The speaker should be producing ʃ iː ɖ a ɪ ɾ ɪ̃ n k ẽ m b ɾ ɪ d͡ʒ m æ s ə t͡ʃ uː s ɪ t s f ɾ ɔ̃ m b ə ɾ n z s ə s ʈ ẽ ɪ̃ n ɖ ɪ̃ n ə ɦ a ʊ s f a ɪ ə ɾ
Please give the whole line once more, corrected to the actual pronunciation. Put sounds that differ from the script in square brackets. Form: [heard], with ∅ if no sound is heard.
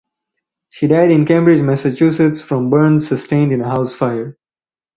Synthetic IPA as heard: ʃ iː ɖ a ɪ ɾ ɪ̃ n k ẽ m b ɾ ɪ d͡ʒ m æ s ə t͡ʃ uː s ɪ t s f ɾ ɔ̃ m b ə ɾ n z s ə s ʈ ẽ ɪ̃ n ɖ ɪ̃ n ə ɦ a ʊ s f a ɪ ə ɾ